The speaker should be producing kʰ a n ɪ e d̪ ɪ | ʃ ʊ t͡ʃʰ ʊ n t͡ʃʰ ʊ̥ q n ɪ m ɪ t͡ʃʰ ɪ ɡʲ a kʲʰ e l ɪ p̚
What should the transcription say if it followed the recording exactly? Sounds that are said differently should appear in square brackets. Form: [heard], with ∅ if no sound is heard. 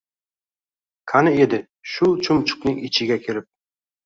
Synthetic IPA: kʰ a n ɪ e d̪ ɪ | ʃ ʊ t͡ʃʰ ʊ [m] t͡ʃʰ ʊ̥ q n ɪ [ŋ] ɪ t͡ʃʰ ɪ ɡʲ a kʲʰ e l ɪ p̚